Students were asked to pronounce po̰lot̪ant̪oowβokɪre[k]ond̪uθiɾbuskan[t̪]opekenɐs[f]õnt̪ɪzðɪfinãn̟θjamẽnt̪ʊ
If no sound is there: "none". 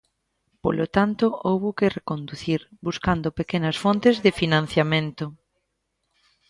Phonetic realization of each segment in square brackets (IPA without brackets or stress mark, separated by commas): k, d̪, f